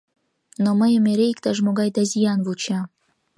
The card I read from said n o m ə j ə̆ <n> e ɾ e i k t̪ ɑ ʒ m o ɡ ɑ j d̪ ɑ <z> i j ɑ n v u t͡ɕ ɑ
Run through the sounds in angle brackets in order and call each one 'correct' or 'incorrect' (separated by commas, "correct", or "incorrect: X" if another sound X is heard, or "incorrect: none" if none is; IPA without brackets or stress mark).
incorrect: m, correct